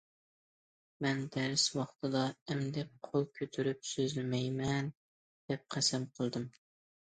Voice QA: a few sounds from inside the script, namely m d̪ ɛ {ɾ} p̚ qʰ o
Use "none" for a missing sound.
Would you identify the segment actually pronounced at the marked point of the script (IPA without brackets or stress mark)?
none